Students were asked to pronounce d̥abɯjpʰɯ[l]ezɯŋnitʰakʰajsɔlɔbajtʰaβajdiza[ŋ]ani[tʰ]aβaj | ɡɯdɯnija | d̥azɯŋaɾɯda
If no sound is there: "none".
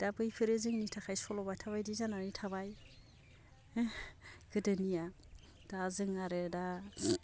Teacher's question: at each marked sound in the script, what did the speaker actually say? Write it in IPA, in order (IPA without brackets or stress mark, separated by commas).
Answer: ɾ, n, tʰ